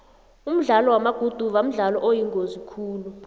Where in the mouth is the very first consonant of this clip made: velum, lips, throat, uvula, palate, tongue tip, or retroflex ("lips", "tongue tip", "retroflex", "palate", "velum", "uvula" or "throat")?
lips